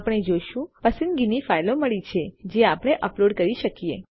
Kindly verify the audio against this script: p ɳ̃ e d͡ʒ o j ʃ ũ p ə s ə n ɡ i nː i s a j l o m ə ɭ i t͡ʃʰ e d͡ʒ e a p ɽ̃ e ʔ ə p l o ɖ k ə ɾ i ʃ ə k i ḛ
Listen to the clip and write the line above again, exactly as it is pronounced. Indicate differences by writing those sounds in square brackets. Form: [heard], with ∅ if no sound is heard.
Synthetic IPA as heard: p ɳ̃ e d͡ʒ o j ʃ ũ p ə s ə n ɡ i [n] i [f] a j l o m ə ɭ i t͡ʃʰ e d͡ʒ e a p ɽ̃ e ʔ ə p l o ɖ k ə ɾ i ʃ ə k i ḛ